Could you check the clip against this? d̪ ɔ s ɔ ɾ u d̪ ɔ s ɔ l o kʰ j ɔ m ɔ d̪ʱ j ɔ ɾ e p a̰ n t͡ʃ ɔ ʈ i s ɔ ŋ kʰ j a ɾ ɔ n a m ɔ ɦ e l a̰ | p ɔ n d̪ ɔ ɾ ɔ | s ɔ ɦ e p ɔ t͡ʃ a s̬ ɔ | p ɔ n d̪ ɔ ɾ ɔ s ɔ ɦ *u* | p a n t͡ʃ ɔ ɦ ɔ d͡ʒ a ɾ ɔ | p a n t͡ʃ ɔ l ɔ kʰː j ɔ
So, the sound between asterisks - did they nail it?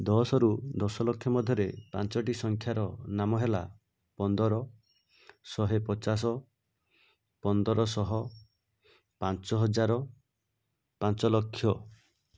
no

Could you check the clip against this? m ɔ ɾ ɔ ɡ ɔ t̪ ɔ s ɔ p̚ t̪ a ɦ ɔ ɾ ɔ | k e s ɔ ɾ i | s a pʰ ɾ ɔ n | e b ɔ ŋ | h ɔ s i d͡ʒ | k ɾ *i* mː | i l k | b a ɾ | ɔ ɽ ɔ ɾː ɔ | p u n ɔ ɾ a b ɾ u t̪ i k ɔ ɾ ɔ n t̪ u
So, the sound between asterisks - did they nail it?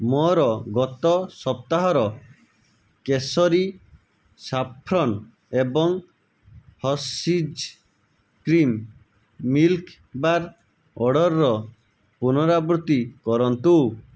yes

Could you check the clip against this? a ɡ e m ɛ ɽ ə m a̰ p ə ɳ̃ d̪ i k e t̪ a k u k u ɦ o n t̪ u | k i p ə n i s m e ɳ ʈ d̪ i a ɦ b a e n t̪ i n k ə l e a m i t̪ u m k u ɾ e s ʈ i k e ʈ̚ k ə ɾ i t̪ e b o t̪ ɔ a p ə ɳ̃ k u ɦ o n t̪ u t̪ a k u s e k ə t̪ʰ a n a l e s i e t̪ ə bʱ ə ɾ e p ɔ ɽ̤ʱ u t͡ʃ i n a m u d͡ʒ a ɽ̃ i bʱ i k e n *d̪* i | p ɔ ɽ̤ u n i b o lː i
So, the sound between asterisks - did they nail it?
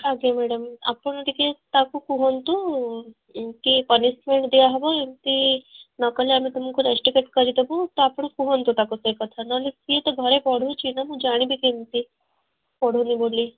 no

